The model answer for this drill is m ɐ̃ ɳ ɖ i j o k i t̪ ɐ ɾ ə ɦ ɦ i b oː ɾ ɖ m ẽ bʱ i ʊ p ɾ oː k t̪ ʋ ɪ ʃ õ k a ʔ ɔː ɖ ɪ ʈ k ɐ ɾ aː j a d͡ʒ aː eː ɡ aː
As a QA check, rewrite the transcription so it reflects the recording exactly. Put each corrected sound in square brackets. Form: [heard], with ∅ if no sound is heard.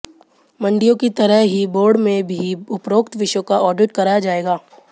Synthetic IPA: m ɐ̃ ɳ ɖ i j [õ] k i t̪ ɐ ɾ ə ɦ ɦ i b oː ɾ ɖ m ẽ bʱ i ʊ p ɾ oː k t̪ ʋ ɪ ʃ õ k a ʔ ɔː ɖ ɪ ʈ k ɐ ɾ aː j a d͡ʒ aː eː ɡ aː